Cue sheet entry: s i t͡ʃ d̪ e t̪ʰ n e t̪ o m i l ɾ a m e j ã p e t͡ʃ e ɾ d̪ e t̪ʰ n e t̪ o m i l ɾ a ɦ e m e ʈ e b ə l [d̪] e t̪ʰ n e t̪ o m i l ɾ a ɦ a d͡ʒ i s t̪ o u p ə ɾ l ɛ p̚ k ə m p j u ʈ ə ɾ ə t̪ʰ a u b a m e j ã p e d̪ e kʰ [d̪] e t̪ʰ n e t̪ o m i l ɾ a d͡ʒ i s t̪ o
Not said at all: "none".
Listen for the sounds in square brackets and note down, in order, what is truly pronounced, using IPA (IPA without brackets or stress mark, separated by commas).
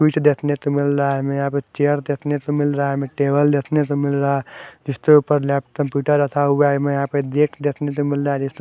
d̪, d̪